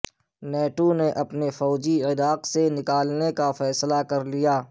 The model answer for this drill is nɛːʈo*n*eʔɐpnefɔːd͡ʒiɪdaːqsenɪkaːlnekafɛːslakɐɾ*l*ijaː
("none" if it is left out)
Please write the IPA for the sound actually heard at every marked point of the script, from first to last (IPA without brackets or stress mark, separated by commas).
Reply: n, l